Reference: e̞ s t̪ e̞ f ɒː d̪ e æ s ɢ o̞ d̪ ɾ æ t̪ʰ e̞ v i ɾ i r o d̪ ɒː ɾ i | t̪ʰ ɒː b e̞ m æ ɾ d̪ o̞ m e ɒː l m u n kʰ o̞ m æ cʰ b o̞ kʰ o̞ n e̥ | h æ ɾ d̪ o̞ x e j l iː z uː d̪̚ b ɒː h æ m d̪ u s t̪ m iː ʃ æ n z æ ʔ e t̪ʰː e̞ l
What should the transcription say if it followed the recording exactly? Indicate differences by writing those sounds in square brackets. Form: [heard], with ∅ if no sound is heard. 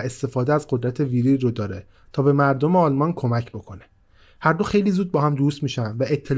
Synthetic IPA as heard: e̞ s t̪ e̞ f ɒː d̪ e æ [z] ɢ o̞ d̪ ɾ æ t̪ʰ e̞ v i ɾ i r o d̪ ɒː ɾ [e] | t̪ʰ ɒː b e̞ m æ ɾ d̪ o̞ m e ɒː l m [ɒ] n kʰ o̞ m æ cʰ b o̞ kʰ o̞ n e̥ | h æ ɾ d̪ o̞ x e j l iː z uː d̪̚ b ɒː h æ m d̪ u s t̪ m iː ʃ æ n [v] æ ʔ e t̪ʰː e̞ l